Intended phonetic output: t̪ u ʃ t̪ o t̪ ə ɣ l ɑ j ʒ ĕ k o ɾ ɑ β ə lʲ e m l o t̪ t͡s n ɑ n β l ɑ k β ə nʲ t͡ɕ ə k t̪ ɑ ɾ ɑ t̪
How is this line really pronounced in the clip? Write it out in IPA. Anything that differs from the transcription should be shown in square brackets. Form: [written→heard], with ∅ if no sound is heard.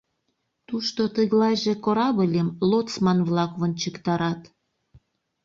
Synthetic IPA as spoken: t̪ u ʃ t̪ o t̪ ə ɣ l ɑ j ʒ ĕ k o ɾ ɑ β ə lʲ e m l o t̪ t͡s [n→m] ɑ n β l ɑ k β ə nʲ t͡ɕ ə k t̪ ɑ ɾ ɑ t̪